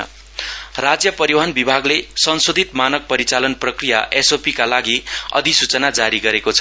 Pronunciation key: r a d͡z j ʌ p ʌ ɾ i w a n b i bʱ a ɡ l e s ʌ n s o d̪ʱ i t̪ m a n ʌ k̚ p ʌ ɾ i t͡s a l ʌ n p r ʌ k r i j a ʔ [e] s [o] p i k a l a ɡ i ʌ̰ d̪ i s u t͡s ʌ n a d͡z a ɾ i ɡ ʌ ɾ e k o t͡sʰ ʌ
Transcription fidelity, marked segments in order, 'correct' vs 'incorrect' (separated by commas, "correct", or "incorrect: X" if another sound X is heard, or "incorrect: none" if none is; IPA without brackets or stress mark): correct, correct